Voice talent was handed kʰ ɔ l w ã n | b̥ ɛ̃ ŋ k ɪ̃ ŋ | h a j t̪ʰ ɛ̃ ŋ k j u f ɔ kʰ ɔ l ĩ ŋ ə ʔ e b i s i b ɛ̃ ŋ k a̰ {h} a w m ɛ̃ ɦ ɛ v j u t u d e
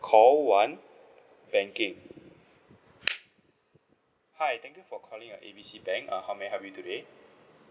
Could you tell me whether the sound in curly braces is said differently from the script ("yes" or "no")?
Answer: no